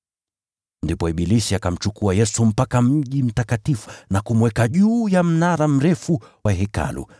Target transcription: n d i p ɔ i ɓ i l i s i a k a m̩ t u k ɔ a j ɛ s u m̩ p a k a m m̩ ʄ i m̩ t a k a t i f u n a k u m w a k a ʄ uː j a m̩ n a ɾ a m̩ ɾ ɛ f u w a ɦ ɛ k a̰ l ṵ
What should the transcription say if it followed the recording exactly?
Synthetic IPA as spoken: n d i p ɔ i ɓ i l i s i a k a m̩ t͡ʃ u k u a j ɛ s u m̩ p a k a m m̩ ʄ i m̩ t a k a t i f u n a k u m w ɛ k a ʄ uː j a m̩ n a ɾ a m̩ ɾ ɛ f u w a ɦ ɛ k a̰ l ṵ